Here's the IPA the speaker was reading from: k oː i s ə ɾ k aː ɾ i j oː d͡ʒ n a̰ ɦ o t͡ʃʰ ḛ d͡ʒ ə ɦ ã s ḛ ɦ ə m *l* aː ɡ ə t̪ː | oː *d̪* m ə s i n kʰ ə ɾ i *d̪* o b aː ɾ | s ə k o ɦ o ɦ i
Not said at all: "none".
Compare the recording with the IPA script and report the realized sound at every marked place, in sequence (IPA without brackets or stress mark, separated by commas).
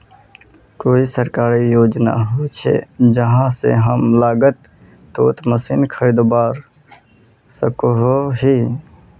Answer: l, t̪, d̪